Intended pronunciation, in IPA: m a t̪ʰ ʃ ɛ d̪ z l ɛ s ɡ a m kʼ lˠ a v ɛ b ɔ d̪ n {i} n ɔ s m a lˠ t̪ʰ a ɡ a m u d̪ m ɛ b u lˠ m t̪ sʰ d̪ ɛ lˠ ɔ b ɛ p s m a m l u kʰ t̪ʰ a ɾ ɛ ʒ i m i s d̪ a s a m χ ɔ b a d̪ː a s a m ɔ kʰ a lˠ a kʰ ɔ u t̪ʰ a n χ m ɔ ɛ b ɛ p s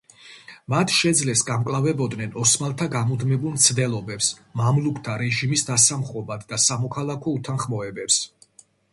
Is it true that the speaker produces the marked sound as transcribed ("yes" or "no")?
no